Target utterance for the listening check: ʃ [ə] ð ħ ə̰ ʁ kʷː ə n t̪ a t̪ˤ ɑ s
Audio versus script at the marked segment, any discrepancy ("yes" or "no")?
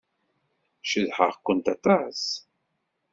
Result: no